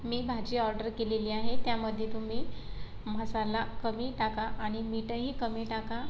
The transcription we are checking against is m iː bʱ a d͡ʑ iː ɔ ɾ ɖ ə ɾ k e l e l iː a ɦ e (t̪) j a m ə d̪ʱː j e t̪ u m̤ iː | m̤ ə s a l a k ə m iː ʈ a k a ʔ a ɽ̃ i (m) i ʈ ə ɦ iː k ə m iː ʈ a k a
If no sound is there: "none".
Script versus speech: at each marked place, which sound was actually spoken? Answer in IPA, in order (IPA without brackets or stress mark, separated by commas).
t̪, m